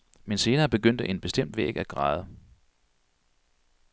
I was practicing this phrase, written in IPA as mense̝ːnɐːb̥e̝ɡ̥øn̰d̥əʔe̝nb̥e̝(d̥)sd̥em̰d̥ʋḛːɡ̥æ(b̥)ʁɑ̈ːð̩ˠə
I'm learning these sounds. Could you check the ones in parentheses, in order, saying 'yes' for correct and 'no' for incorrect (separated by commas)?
no, no